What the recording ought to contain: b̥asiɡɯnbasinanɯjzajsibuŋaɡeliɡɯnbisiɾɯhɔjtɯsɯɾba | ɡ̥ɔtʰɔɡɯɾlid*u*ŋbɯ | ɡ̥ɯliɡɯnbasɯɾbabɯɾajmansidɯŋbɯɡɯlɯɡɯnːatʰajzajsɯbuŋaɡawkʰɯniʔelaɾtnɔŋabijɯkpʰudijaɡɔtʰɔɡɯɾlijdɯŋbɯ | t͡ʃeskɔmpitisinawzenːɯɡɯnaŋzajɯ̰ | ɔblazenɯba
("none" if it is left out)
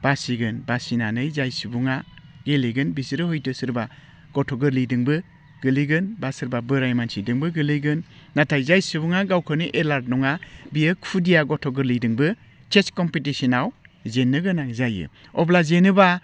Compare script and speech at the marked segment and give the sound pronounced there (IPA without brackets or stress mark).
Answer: ɯ